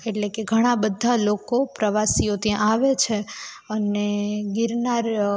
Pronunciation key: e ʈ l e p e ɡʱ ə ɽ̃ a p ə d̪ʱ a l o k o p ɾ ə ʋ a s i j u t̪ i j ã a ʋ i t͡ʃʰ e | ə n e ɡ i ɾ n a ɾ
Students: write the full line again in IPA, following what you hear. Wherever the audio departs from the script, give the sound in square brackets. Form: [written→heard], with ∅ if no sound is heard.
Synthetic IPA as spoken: e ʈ l e [p→k] e ɡʱ ə ɽ̃ a [p→b] ə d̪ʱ a l o k o p ɾ ə ʋ a s i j [u→o] t̪ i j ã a ʋ [i→e] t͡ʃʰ e | ə n e ɡ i ɾ n a ɾ